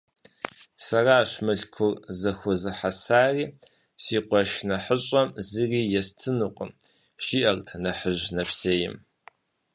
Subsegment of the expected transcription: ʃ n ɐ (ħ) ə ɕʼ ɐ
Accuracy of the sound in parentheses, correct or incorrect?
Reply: correct